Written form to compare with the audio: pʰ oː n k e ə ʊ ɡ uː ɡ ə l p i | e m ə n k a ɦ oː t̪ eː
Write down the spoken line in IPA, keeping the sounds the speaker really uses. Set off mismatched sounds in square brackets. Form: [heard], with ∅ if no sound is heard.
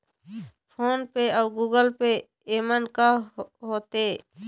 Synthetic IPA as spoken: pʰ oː n [p] e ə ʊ ɡ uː ɡ ə l p [e] | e m ə n k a ɦ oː t̪ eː